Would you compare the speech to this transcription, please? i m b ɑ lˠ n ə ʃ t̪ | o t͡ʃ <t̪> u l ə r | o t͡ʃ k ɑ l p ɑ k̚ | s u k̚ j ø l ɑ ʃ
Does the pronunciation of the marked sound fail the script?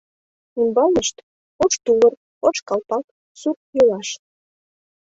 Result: no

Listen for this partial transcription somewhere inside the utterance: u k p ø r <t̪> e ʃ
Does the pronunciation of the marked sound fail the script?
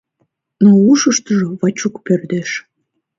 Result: yes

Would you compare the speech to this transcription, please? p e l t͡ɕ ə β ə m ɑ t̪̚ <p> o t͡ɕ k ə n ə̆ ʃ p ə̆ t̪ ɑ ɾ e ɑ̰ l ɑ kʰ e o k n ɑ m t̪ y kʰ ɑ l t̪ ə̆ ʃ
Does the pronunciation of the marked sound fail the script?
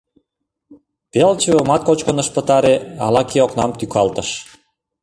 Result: yes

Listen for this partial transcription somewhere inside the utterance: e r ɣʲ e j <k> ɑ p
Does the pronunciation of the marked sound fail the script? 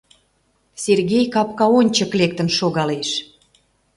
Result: no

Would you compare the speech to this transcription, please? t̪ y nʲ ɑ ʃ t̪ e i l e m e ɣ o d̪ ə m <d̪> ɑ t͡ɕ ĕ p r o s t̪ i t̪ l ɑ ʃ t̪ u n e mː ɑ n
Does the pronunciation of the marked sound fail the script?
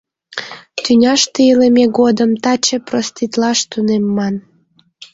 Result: yes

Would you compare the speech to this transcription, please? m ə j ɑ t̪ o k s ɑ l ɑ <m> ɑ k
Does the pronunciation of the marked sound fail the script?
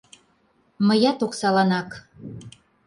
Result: yes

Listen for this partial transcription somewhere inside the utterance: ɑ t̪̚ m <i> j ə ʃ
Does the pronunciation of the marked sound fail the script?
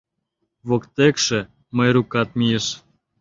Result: no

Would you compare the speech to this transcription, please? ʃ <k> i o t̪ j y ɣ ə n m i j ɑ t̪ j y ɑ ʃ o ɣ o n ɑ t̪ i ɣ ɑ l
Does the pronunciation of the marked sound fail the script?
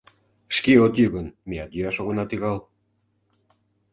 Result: no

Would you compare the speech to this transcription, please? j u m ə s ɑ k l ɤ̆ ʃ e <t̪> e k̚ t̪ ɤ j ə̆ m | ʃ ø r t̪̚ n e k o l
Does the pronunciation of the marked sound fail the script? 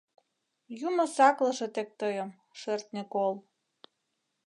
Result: no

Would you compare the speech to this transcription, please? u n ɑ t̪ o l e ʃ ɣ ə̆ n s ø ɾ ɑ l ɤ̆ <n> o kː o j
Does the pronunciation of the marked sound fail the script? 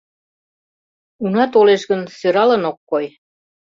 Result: no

